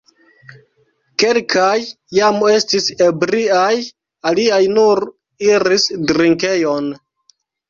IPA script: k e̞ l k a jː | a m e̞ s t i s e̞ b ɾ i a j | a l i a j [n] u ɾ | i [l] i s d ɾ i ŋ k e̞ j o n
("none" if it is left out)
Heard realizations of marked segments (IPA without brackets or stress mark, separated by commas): n, ɾ